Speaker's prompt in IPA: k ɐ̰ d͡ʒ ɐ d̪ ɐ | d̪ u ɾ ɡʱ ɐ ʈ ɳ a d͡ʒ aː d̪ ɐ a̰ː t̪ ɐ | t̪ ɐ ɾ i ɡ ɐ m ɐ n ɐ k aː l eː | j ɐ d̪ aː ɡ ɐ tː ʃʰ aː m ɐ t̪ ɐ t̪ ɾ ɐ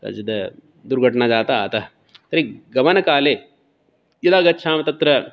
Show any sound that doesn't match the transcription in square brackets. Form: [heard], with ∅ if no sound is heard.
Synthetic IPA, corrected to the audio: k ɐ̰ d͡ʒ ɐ d̪ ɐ | d̪ u ɾ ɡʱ ɐ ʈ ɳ a d͡ʒ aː [t̪] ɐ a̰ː t̪ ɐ | t̪ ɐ ɾ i ɡ ɐ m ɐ n ɐ k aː l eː | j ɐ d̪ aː ɡ ɐ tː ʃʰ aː m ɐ t̪ ɐ t̪ ɾ ɐ

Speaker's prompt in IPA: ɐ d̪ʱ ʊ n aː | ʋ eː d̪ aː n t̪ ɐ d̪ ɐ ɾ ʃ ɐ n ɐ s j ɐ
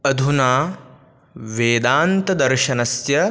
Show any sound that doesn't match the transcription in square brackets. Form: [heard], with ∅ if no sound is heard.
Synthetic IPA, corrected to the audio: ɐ d̪ʱ [u] n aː | ʋ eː d̪ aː n t̪ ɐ d̪ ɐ ɾ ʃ ɐ n ɐ s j ɐ

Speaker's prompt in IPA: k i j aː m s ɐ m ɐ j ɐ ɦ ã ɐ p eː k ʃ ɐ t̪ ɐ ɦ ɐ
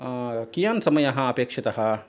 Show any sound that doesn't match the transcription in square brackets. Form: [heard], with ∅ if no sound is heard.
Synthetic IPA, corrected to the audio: k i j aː [n] s ɐ m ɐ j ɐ ɦ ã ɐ p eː k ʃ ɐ t̪ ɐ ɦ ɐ

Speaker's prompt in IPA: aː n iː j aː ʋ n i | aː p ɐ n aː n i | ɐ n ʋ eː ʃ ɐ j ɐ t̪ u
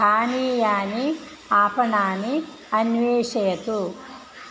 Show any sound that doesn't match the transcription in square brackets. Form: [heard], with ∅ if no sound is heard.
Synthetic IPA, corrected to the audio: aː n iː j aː [∅] n i | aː p ɐ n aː n i | ɐ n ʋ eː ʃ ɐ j ɐ t̪ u

